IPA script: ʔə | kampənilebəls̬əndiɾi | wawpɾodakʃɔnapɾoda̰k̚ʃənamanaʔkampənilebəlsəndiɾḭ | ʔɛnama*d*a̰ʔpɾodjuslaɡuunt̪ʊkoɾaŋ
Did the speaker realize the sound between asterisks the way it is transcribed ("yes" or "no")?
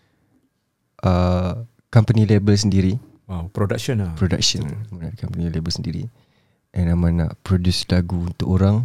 no